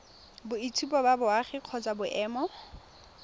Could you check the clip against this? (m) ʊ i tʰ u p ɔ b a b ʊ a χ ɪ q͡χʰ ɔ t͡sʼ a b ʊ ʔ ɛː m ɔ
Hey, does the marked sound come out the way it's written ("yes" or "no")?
no